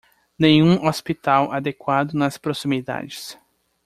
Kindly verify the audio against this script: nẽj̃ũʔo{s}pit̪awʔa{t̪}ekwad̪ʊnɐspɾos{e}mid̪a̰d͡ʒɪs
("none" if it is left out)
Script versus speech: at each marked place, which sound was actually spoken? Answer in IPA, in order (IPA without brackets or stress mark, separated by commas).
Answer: s, d̪, i